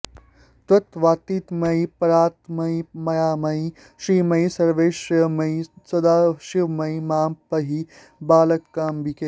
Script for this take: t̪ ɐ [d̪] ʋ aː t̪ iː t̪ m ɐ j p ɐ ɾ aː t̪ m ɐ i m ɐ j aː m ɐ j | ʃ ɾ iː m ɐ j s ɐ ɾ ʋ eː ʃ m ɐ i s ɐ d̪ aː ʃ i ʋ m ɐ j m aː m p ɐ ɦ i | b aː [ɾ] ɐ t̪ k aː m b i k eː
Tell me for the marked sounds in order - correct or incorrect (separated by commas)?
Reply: incorrect, incorrect